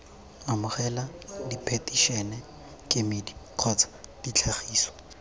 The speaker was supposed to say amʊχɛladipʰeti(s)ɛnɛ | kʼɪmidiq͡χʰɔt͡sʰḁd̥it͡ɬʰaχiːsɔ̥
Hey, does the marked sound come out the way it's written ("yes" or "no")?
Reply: no